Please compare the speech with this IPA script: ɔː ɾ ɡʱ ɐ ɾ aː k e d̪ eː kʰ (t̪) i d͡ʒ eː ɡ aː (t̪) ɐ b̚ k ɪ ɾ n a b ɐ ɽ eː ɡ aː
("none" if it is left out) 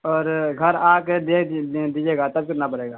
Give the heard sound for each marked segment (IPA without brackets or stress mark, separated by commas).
d̪, t̪